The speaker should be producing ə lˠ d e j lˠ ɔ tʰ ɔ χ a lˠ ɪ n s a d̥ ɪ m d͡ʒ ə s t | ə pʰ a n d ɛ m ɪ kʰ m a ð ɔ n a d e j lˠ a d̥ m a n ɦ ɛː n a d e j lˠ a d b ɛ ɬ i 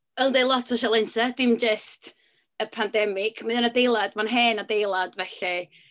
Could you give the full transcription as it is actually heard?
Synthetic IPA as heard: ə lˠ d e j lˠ ɔ tʰ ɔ ʃ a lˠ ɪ n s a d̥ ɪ m d͡ʒ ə s t | ə pʰ a n d ɛ m ɪ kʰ m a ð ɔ n a d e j lˠ a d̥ m a n ɦ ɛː n a d e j lˠ a d v ɛ ɬ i